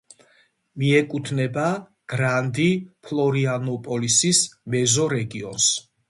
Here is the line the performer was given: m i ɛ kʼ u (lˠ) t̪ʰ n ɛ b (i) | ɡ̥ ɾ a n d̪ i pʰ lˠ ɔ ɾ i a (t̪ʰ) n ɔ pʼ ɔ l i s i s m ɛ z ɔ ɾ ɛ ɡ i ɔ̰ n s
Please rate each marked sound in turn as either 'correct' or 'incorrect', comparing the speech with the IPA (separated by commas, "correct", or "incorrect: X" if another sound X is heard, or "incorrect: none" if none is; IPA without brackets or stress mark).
incorrect: none, incorrect: a, incorrect: none